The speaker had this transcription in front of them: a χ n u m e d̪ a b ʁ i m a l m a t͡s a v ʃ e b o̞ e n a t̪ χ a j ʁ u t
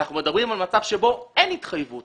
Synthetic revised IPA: a χ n u m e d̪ a b ʁ i m a l m a t͡s a v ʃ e b o̞ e n i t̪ χ a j v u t